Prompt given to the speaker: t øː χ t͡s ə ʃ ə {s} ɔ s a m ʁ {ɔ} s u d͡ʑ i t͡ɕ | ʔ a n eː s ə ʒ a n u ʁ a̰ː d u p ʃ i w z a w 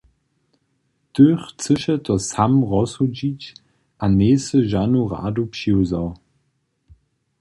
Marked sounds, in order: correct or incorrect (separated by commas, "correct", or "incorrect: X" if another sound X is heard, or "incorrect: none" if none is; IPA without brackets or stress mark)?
incorrect: t, correct